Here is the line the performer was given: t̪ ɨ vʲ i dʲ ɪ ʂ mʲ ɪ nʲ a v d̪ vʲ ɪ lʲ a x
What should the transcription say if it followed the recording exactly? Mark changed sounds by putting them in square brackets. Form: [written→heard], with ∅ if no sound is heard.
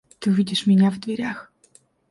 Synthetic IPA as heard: t̪ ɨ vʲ i dʲ ɪ ʂ mʲ ɪ nʲ a v d̪ vʲ ɪ [lʲ→ɾʲ] a x